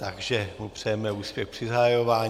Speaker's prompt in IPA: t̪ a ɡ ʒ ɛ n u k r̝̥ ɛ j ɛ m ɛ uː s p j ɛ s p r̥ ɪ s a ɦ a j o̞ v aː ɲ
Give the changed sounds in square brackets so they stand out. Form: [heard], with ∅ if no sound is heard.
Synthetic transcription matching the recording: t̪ a ɡ ʒ ɛ [m] u [p] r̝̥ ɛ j ɛ m ɛ uː s p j ɛ [x] p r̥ ɪ [z] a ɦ a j o̞ v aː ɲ